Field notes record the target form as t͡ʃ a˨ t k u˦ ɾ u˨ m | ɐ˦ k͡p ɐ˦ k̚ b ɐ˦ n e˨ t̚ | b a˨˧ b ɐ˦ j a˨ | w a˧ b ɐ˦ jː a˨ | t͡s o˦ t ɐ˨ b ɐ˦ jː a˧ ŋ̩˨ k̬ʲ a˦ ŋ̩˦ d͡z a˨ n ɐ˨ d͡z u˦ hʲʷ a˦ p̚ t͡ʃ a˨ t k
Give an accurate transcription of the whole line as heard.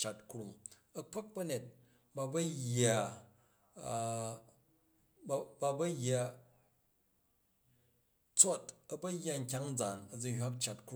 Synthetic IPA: t͡ʃ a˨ t k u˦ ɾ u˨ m | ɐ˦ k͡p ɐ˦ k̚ b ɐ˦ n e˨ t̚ | b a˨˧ b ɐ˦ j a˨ | b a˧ b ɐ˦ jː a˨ | t͡s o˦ t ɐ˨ b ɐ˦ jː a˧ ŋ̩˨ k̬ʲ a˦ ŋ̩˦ d͡z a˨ n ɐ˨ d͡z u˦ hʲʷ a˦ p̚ t͡ʃ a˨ t k

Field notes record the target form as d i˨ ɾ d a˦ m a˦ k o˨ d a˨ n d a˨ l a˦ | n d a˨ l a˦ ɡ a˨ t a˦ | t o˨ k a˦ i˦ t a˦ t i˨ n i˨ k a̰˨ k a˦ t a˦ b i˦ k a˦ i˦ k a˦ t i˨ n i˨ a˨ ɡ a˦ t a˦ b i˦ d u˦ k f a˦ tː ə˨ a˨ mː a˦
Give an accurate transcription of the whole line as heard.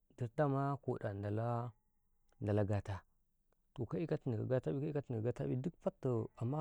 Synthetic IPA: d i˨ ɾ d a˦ m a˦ k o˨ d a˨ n d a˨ l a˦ | n d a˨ l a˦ ɡ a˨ t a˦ | t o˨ k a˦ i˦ k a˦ t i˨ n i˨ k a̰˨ ɡ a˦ t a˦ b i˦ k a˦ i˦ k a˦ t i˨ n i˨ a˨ ɡ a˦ t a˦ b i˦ d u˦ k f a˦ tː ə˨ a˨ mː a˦

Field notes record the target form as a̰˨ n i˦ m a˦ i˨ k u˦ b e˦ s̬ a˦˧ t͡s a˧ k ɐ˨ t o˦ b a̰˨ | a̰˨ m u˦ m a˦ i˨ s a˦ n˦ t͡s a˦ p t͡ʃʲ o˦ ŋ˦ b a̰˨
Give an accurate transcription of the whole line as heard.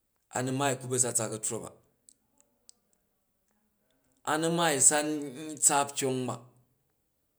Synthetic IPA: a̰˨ n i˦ m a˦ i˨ k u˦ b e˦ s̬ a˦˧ t͡s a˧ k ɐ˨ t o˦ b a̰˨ | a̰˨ n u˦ m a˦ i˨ s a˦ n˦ t͡s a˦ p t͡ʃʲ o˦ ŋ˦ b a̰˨

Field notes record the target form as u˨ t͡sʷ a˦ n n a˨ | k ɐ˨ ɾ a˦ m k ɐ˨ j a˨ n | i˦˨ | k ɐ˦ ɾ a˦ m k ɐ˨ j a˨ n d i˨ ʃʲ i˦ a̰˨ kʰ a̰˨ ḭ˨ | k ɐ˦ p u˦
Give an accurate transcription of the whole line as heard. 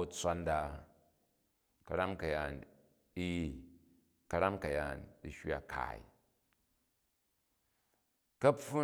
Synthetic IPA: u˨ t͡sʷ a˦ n d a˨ | k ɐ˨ ɾ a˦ m k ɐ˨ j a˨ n | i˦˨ | k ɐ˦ ɾ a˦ m k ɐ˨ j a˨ n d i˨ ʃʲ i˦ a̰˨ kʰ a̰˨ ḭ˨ | k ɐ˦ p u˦

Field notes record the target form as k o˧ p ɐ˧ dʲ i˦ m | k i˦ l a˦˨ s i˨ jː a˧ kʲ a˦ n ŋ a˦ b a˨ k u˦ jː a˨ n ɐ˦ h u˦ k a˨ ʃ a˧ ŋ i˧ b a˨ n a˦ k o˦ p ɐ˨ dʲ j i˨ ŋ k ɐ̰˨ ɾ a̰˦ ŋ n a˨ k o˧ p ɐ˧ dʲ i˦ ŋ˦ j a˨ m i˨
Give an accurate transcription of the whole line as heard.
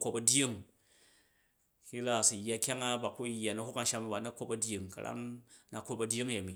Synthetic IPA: k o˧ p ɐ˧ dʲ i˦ ŋ | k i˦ l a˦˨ s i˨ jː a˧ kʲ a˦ ŋ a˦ b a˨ k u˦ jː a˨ n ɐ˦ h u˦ k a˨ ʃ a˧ m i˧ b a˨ n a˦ k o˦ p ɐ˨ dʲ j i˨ ŋ k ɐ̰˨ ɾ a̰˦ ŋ n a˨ k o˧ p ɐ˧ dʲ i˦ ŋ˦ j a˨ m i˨

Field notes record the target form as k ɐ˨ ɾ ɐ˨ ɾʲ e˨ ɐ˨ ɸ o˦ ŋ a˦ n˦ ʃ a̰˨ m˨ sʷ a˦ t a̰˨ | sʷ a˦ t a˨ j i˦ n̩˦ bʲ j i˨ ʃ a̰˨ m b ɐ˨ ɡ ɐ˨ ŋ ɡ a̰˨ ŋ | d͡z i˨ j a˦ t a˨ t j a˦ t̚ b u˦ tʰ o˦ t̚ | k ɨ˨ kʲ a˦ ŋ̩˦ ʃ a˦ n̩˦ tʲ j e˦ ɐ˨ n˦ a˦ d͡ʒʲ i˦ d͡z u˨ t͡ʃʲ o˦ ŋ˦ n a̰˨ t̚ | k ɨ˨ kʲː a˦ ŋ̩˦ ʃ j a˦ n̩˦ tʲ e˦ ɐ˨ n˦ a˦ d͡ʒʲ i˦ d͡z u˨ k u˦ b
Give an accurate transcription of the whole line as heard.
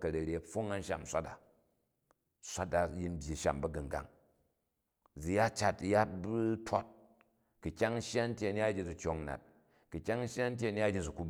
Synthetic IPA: k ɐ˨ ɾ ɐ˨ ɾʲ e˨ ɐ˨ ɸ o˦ ŋ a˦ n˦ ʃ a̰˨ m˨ sʷ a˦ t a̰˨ | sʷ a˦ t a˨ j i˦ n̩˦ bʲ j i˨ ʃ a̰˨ m b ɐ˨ ɡ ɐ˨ ŋ ɡ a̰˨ ŋ | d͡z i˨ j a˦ t͡ʃ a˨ t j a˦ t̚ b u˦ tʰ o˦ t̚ | k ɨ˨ kʲ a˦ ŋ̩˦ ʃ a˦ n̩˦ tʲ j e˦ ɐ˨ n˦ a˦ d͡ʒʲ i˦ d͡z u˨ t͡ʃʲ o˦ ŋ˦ n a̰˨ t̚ | k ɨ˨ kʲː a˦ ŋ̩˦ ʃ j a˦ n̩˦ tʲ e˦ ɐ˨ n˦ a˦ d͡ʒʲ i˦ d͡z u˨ k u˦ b

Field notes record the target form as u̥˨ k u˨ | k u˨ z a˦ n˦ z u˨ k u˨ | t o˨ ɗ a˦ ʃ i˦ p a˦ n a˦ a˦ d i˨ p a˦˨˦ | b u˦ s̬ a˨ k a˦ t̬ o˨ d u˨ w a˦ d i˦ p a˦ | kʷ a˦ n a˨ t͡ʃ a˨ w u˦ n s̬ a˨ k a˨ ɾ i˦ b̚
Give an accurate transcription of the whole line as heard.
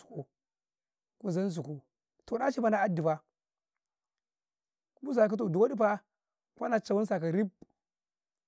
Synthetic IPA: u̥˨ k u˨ | k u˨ z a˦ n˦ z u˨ k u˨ | t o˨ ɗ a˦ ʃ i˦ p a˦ n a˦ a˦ d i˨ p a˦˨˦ | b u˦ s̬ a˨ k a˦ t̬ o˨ d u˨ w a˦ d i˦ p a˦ | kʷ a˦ n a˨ t͡ʃ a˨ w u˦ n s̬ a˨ k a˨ ɾ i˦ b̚

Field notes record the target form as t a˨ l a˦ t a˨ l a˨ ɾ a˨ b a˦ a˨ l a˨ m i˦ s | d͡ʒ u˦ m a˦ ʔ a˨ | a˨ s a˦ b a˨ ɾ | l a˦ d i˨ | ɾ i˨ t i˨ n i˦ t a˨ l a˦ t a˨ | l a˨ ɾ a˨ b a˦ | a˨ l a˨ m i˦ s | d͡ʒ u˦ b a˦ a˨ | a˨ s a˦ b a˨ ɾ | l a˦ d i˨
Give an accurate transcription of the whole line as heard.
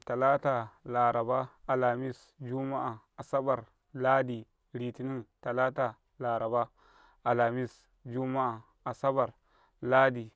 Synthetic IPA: t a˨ l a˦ t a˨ l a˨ ɾ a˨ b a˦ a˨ l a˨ m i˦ s | d͡ʒ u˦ m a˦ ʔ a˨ | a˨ s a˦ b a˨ ɾ | l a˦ d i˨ | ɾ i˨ t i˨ n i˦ t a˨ l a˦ t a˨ | l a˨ ɾ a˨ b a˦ | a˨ l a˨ m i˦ s | d͡ʒ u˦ m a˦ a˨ | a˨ s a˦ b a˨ ɾ | l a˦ d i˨

